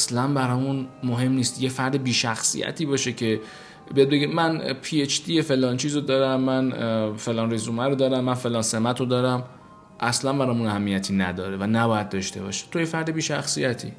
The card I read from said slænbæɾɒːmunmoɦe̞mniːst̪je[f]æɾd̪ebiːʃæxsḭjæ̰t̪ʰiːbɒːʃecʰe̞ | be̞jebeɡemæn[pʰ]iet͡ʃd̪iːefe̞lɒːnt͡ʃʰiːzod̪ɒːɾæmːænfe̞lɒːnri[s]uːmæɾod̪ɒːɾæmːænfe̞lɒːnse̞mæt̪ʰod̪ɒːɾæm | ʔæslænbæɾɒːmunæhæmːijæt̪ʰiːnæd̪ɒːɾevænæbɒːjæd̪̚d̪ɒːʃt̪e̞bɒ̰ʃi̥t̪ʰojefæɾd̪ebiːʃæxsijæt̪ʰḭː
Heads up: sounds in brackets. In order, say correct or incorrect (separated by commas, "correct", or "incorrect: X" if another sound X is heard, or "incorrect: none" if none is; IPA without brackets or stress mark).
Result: correct, correct, incorrect: z